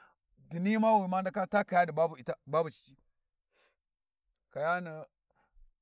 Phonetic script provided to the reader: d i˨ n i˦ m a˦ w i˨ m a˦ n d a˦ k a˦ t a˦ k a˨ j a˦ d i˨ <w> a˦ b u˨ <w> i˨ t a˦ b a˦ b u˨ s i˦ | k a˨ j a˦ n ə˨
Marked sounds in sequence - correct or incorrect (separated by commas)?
incorrect, incorrect